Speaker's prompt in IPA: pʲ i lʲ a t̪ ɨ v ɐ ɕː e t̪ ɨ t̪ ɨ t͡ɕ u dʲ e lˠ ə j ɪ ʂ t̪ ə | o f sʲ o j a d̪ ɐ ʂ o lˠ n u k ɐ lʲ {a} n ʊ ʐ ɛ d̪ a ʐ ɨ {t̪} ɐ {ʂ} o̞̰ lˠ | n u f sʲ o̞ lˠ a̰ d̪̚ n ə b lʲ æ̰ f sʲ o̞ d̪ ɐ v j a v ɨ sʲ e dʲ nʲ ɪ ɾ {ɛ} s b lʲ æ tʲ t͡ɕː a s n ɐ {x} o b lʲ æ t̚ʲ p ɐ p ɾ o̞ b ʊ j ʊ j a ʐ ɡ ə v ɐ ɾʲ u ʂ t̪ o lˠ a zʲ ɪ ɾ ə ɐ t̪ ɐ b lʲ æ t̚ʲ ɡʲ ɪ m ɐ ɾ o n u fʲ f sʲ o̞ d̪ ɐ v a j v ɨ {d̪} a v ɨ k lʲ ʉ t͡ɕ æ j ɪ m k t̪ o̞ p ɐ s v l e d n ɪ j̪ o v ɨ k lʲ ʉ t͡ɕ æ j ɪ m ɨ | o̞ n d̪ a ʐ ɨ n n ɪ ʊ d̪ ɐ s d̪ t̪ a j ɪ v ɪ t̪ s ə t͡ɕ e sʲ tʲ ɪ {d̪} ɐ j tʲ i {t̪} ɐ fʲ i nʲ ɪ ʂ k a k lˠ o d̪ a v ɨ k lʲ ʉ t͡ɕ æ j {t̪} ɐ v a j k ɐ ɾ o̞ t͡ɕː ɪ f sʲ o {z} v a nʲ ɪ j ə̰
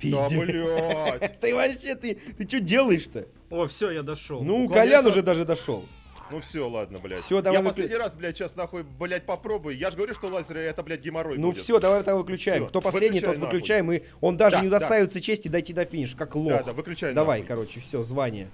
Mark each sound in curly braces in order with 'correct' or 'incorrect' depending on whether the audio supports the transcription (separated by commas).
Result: correct, incorrect, correct, incorrect, correct, incorrect, correct, incorrect, incorrect, correct